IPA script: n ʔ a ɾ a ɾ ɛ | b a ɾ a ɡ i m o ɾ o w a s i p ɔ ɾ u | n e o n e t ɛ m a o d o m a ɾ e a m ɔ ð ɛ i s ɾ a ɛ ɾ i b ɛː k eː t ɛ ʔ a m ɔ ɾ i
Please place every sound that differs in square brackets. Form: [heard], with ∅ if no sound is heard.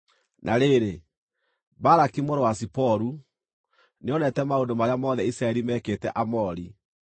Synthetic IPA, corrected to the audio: n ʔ a ɾ [e] ɾ [e] | b a ɾ a [k] i m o ɾ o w a s i p ɔ ɾ u | n e [ɔ] n [ɛ] t ɛ m a o d o m a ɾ e a m ɔ ð ɛ i s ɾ a ɛ ɾ i [m] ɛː k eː t ɛ ʔ a m ɔ ɾ i